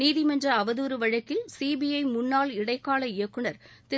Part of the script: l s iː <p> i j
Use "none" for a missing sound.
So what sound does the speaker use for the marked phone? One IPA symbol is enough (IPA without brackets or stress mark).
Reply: b